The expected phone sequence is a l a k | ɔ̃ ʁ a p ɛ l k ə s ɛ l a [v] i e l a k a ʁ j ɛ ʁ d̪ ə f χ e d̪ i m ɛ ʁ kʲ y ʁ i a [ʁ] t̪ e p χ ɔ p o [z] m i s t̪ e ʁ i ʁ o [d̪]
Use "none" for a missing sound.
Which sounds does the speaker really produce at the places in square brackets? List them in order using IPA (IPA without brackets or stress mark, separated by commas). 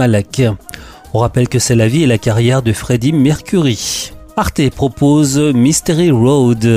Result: v, ʁ, z, d̪